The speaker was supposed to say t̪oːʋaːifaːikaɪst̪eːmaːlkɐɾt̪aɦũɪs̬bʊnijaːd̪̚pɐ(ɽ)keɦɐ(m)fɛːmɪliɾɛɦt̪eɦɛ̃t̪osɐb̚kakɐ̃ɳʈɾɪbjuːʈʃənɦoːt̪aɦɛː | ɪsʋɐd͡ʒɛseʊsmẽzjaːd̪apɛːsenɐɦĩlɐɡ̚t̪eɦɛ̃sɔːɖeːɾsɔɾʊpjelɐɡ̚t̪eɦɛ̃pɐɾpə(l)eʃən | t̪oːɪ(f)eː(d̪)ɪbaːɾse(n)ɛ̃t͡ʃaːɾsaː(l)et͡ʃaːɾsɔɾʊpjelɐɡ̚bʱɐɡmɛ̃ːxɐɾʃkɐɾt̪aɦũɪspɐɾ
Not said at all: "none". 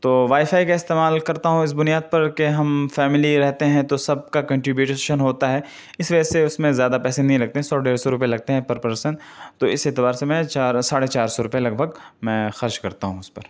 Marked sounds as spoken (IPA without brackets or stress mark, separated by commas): ɾ, m, ɾ, s, t̪, m, ɽ